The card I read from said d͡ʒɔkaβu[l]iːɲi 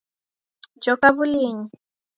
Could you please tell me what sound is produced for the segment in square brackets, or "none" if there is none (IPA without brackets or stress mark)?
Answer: l